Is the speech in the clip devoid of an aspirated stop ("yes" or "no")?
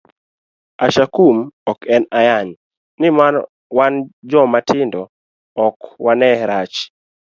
yes